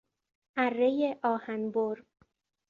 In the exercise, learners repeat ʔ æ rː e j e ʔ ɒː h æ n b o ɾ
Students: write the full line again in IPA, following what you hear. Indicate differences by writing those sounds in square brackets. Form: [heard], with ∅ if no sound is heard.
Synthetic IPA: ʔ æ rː e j e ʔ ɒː h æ n b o ɾ